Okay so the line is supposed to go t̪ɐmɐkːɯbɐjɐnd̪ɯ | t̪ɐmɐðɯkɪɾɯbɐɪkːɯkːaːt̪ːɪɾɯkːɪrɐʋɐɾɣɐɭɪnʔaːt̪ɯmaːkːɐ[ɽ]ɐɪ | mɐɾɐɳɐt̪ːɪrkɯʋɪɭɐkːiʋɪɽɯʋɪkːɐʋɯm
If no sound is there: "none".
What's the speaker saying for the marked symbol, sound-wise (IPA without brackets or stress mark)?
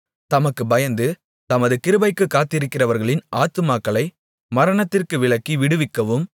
ɭ